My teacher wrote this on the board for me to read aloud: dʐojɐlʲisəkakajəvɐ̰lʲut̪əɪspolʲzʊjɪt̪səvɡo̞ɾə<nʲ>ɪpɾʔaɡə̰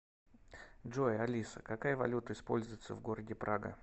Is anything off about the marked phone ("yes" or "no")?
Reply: yes